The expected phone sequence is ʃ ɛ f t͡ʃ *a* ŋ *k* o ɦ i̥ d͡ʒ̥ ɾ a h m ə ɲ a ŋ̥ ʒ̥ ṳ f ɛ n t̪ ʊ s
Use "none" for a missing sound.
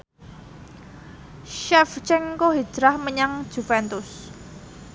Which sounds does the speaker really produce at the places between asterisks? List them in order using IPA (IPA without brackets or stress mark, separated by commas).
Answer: ɛ, k